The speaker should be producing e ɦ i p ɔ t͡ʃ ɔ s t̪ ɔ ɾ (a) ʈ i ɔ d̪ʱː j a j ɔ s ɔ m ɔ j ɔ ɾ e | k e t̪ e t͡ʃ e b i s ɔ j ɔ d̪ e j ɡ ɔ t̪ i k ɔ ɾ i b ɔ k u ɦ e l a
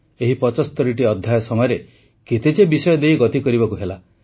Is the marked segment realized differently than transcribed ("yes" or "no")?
yes